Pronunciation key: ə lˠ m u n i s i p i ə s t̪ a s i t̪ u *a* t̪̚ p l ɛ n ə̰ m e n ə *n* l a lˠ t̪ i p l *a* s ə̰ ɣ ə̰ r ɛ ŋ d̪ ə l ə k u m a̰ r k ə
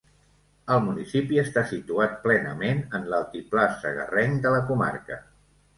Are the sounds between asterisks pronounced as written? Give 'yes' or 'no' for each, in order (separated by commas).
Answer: yes, yes, yes